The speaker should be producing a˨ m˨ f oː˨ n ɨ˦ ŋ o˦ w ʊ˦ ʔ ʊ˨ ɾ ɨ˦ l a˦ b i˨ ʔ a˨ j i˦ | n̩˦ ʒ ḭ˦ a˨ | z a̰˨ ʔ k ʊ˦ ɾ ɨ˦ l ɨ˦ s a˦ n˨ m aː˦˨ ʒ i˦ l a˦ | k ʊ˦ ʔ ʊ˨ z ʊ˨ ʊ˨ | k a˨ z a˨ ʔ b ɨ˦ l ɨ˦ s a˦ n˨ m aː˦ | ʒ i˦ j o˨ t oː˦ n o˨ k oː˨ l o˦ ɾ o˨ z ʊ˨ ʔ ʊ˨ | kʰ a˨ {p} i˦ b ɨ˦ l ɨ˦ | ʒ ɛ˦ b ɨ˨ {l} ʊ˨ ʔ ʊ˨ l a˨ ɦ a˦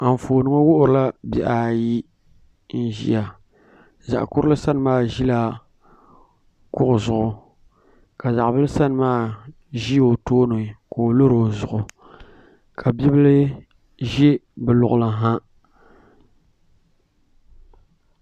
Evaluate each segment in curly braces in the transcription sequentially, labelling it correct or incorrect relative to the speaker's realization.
incorrect: b, correct

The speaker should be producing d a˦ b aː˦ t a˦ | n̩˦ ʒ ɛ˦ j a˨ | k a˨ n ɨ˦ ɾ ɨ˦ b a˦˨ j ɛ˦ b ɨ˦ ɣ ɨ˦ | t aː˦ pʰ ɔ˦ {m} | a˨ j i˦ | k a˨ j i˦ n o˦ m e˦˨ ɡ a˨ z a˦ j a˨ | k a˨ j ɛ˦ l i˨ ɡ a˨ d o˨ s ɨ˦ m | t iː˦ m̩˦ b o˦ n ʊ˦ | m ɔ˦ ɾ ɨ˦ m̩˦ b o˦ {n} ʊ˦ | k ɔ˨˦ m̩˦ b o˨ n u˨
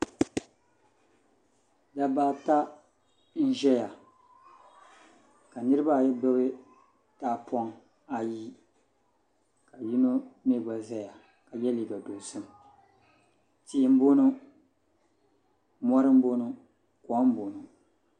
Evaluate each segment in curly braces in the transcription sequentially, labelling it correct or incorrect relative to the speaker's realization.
incorrect: ŋ, correct

